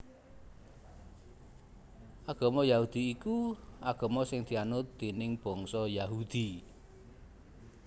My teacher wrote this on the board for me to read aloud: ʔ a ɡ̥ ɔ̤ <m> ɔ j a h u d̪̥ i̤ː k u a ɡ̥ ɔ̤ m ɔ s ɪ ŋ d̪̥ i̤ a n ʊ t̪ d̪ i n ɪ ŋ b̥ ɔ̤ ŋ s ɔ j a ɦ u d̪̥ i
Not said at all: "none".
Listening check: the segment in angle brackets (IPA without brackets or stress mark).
m